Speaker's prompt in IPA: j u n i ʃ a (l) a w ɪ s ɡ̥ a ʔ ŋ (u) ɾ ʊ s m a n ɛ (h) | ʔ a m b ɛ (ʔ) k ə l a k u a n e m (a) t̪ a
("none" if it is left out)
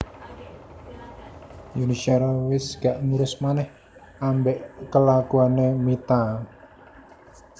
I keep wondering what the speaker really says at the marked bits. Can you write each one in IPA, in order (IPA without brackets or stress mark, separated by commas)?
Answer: ɾ, u, h, ʔ, i